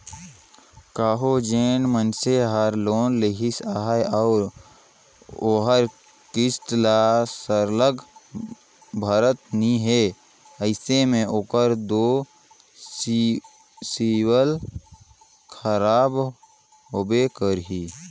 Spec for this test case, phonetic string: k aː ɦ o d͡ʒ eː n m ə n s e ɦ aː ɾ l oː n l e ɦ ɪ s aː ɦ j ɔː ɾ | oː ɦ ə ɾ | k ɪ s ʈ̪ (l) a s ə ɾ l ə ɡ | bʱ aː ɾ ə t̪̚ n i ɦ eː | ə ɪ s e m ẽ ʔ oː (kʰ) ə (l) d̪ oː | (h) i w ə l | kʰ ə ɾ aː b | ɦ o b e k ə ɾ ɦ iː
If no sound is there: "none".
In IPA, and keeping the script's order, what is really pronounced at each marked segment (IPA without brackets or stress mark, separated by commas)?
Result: l, k, ɾ, s